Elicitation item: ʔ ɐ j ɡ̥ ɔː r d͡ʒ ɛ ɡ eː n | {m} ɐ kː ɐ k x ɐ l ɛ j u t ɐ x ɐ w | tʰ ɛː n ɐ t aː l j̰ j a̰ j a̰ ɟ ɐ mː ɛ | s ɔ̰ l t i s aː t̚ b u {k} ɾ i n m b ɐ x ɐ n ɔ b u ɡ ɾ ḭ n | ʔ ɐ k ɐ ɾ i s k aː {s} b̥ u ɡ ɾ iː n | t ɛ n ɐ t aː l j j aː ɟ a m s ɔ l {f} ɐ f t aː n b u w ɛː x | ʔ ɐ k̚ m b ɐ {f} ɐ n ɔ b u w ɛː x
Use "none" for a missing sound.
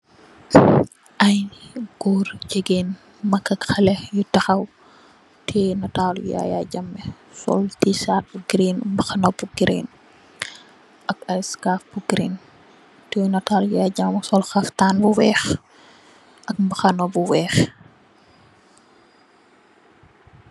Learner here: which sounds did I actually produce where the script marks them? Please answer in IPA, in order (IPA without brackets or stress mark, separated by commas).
m, ɡ, f, x, x